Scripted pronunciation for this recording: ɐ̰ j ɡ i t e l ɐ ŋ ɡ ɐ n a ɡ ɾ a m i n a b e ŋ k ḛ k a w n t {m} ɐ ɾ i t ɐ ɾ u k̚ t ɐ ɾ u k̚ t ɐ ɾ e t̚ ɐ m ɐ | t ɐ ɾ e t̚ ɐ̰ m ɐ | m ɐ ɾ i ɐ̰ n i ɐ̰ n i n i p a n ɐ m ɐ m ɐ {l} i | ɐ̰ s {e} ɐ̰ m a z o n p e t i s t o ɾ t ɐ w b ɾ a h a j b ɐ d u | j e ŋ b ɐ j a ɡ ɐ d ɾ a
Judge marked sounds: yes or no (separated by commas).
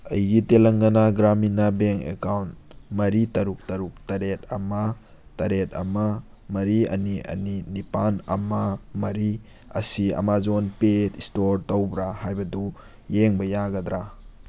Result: yes, no, no